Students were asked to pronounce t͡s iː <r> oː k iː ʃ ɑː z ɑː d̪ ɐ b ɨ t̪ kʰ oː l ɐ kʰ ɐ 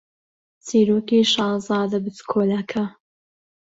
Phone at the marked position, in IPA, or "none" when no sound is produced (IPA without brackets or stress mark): ɾ